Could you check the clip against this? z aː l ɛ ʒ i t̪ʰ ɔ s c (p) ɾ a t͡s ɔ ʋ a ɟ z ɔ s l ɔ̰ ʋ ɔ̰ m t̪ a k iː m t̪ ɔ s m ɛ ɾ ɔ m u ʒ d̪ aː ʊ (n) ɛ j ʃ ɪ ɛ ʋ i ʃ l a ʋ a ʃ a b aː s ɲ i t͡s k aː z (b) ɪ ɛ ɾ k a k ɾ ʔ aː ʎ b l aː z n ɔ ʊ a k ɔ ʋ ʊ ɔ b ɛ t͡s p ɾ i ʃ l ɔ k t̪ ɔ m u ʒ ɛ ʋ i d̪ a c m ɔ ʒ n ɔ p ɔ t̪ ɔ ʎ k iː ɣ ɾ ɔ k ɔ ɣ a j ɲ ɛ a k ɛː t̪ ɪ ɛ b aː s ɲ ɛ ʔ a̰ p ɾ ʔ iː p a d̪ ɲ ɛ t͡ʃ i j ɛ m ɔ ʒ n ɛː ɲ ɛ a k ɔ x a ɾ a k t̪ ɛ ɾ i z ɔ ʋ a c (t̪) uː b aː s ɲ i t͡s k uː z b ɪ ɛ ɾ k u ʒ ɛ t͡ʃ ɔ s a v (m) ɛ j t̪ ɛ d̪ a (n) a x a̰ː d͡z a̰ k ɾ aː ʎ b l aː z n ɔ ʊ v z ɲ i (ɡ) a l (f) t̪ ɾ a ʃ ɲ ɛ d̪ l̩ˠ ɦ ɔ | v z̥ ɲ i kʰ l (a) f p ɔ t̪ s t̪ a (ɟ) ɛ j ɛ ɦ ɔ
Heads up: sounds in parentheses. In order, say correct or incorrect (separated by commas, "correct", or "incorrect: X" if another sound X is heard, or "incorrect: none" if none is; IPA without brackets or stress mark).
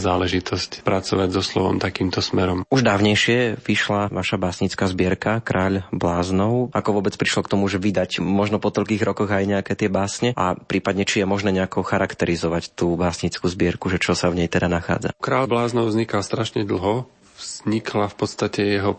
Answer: correct, incorrect: ɲ, correct, correct, incorrect: ɲ, correct, incorrect: k, incorrect: s, correct, incorrect: c